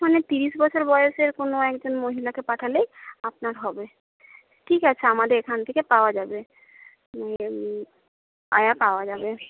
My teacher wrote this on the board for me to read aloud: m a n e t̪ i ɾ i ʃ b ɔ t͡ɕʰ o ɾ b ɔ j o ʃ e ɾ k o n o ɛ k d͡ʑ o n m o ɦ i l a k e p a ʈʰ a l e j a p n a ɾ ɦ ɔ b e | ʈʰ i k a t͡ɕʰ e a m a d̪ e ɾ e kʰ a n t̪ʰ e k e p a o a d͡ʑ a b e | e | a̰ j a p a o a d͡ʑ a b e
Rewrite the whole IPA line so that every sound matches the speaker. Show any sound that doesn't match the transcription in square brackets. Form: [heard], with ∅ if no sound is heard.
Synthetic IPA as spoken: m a n e t̪ i ɾ i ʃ b ɔ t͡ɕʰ o ɾ b ɔ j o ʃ e ɾ k o n o ɛ k d͡ʑ o n m o ɦ i l a k e p a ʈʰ a l e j a p n a ɾ ɦ ɔ b e | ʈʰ i k a t͡ɕʰ e a m a d̪ e ɾ e kʰ a n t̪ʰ e k e p a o a d͡ʑ a b e | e | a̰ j a p a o a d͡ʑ a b e